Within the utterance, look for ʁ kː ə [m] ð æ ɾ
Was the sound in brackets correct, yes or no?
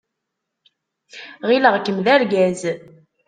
yes